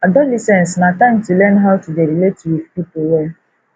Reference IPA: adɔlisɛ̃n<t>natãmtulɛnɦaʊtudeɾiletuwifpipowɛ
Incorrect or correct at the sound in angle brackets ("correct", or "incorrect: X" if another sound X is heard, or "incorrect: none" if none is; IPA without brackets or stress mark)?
incorrect: s